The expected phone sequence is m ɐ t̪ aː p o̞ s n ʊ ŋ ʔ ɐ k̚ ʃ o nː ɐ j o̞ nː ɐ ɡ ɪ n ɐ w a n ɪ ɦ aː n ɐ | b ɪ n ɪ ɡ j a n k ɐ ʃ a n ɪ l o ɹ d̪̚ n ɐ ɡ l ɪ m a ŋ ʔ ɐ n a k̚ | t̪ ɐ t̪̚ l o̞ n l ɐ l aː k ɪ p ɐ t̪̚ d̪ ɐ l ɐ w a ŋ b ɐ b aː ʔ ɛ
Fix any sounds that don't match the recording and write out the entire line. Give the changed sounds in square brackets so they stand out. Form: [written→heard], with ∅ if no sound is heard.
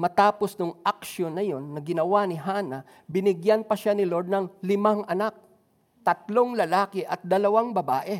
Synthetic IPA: m ɐ t̪ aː p o̞ s n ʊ ŋ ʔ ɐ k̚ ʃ o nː ɐ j o̞ nː ɐ ɡ ɪ n ɐ w a n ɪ ɦ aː n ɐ | b ɪ n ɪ ɡ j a n [k→p] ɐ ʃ a n ɪ l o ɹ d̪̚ n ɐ [ɡ→ŋ] l ɪ m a ŋ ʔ ɐ n a k̚ | t̪ ɐ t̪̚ l o̞ [n→ŋ] l ɐ l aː k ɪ [p→ʔ] ɐ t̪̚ d̪ ɐ l ɐ w a ŋ b ɐ b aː ʔ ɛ